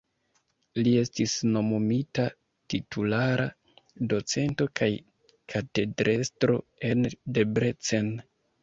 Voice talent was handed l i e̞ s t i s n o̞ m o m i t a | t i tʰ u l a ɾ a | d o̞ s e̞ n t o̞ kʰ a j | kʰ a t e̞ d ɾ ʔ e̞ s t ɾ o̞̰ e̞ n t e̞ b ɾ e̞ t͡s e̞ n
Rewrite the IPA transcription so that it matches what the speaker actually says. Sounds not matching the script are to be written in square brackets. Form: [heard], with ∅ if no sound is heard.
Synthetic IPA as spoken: l i e̞ s t i s n o̞ m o m i t a | t i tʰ u l a ɾ a | d o̞ [t͡s] e̞ n t o̞ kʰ a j | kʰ a t e̞ d ɾ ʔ e̞ s t ɾ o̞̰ e̞ n [d] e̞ b ɾ e̞ t͡s e̞ n